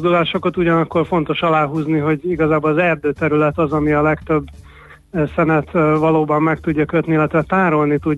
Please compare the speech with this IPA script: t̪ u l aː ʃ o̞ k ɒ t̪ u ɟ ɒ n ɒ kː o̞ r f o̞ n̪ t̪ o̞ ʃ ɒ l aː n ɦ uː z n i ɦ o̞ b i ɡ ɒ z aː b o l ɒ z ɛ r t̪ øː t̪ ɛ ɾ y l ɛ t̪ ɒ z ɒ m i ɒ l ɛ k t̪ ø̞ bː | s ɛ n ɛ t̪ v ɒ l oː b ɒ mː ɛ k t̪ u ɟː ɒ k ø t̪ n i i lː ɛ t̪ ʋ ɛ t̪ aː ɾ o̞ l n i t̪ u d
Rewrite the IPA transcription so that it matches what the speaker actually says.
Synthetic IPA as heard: d̪ u l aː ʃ o̞ k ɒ t̪ u ɟ ɒ n ɒ kː o̞ r f o̞ n̪ t̪ o̞ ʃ ɒ l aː ɦ uː z n i ɦ o̞ ɟ i ɡ ɒ z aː b o l ɒ z ɛ r d̪ øː t̪ ɛ ɾ y l ɛ t̪ ɒ z ɒ m i ɒ l ɛ k t̪ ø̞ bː | s ɛ n ɛ t̪ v ɒ l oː b ɒ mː ɛ k t̪ u ɟː ɒ k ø t̪ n i i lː ɛ t̪ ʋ ɛ t̪ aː ɾ o̞ l n i t̪ u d